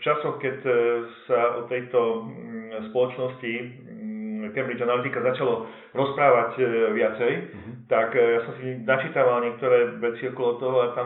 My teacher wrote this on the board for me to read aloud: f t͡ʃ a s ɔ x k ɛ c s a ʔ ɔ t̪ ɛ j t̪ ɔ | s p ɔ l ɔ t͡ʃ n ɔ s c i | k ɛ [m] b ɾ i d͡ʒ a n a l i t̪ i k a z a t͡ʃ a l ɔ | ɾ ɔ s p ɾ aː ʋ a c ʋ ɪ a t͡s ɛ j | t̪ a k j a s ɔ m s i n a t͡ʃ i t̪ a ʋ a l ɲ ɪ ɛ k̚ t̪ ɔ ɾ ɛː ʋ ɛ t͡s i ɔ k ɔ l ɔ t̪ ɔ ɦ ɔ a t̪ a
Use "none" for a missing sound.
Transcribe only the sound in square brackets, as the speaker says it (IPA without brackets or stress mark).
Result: m